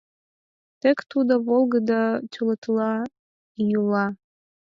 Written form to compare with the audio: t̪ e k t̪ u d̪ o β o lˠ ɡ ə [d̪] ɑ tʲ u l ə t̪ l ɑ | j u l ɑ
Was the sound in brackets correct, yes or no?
yes